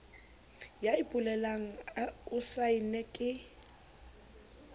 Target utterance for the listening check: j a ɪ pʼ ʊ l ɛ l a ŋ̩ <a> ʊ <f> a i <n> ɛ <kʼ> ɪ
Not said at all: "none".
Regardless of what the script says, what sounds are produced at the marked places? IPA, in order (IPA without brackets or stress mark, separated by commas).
a, s, n, kʼ